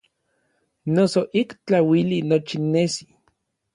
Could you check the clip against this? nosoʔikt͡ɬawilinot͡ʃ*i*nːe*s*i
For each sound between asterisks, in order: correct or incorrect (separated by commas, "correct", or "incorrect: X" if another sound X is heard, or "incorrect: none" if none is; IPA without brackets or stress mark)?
correct, correct